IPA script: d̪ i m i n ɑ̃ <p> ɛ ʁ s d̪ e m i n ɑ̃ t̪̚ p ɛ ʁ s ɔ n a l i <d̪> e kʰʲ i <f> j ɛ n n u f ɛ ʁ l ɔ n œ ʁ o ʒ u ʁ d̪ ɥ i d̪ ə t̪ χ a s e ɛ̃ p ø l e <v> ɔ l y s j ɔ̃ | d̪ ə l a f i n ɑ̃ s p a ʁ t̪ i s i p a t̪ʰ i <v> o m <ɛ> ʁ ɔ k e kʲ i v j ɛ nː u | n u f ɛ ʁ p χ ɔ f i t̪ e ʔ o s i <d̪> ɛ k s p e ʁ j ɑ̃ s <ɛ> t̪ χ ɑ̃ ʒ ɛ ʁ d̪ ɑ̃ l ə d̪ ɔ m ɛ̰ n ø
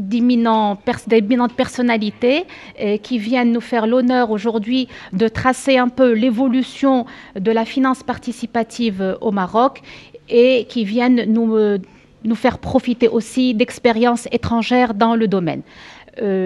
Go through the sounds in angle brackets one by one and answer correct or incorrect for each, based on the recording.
correct, incorrect: t̪, incorrect: v, correct, correct, incorrect: a, correct, incorrect: e

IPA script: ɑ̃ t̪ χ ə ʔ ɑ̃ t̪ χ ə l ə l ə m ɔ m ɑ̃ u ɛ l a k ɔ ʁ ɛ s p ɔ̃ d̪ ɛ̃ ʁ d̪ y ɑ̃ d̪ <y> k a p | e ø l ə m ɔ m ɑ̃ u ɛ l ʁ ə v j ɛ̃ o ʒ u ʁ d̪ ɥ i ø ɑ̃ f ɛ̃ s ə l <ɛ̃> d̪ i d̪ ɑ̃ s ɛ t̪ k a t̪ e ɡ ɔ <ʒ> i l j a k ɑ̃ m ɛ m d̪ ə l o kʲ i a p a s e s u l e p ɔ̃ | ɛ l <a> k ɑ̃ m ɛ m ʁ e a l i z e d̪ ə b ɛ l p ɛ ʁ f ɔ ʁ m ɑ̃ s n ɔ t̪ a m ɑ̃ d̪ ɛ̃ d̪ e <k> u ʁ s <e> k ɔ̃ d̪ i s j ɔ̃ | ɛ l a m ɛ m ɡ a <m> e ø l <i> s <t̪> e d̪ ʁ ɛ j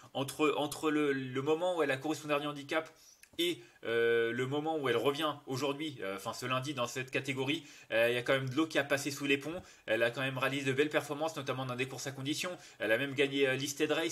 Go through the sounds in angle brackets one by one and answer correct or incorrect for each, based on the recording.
incorrect: i, correct, incorrect: ʁ, correct, correct, incorrect: a, incorrect: ɲ, correct, correct

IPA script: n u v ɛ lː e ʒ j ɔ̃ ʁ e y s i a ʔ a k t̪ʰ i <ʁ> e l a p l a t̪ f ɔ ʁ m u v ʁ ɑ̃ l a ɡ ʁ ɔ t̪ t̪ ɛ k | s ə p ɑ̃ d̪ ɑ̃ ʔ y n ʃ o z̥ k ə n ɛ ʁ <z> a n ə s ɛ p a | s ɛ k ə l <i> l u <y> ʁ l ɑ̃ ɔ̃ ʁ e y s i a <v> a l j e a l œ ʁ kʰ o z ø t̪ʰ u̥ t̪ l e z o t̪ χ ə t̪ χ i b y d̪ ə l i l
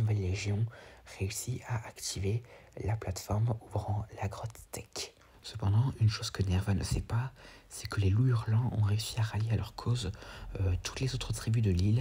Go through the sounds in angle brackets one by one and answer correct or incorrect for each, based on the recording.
incorrect: v, incorrect: v, incorrect: e, correct, incorrect: ʁ

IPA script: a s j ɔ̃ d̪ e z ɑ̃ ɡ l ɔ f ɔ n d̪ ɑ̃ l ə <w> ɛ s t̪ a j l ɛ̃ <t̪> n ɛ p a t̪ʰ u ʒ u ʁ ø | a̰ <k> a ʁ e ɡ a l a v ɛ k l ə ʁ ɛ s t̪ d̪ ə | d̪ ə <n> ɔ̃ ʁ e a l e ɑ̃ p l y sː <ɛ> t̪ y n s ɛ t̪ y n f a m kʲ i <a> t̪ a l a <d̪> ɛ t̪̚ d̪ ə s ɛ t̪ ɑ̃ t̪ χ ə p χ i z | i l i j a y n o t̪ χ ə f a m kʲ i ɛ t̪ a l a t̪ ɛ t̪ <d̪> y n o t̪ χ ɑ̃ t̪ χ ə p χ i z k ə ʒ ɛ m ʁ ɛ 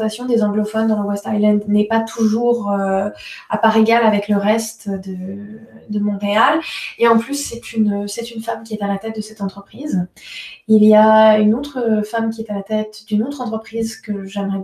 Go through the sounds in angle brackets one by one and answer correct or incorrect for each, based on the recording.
correct, incorrect: d̪, incorrect: p, incorrect: m, correct, incorrect: ɛ, incorrect: t̪, correct

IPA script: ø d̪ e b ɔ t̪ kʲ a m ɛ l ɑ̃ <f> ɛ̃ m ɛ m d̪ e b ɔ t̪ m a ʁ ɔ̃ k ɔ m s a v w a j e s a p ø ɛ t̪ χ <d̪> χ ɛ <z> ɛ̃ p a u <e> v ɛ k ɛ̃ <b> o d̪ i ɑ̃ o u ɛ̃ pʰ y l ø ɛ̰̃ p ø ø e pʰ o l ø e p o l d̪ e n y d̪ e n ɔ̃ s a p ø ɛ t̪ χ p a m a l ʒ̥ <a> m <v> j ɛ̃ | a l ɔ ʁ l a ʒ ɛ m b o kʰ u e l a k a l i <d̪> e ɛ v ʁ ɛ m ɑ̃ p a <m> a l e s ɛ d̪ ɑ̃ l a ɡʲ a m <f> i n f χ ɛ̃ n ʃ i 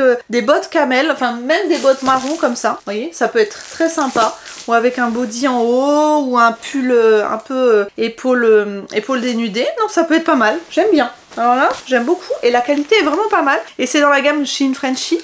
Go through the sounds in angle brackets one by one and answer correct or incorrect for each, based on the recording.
correct, incorrect: t̪, incorrect: s, incorrect: a, correct, incorrect: ɛ, incorrect: b, incorrect: t̪, correct, incorrect: ʃ

